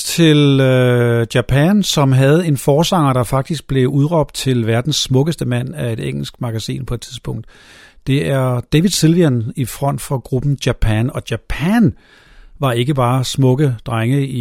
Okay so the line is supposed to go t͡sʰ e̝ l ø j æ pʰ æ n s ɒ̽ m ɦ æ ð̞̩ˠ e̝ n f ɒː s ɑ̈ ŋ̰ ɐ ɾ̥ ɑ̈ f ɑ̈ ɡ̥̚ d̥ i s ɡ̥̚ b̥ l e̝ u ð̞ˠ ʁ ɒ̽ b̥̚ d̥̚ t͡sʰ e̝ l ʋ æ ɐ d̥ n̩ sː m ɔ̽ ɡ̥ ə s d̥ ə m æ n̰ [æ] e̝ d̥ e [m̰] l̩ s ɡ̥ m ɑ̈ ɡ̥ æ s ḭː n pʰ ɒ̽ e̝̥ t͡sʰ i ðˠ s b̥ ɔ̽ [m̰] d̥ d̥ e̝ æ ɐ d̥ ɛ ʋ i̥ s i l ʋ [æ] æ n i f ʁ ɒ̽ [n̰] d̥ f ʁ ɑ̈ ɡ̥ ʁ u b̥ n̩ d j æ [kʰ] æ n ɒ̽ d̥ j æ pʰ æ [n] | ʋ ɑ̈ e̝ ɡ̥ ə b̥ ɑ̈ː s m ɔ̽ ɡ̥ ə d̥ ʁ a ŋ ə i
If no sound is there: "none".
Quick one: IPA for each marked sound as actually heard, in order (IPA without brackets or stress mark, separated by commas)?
æ, ŋ̰, ŋ̰, i, n̰, pʰ, n